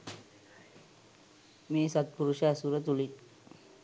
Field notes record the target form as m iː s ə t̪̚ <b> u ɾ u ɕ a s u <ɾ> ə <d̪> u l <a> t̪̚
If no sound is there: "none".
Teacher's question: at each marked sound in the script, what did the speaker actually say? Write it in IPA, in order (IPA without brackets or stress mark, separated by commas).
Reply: p, ɾ, t̪, i